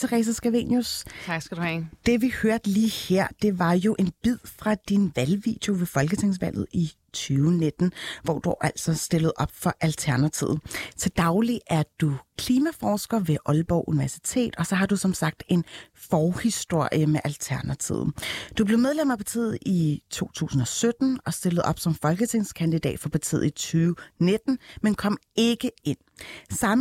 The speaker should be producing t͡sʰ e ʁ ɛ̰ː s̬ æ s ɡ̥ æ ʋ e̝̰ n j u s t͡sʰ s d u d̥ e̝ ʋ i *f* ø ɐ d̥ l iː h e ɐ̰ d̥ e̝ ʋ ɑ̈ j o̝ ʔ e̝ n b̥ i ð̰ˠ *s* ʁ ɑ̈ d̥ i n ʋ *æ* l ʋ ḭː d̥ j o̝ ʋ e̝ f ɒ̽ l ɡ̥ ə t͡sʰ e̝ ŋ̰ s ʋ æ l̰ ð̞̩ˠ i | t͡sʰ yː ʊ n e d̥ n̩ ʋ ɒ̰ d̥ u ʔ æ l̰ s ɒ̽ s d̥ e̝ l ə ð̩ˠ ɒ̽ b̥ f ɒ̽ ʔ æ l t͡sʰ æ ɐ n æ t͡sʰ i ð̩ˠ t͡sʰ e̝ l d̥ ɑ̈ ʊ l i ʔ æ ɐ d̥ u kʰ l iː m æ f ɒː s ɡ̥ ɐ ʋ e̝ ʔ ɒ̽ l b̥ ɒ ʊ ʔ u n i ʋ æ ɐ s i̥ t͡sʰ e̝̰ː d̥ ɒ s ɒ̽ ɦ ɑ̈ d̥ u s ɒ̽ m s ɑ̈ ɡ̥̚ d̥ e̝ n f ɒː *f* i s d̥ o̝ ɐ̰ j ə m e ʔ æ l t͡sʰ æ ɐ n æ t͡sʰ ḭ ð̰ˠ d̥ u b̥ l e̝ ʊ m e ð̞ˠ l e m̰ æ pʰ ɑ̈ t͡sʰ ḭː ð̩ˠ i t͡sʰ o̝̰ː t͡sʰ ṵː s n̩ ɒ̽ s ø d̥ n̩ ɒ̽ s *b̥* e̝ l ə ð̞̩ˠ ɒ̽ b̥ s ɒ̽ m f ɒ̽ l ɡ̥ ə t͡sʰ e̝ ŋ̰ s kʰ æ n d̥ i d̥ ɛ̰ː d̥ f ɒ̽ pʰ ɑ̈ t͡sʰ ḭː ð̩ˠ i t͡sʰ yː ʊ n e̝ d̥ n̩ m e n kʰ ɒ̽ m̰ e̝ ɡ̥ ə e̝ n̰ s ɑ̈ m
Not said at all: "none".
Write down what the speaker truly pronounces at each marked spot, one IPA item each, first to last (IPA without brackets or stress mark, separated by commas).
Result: h, f, æ, h, d̥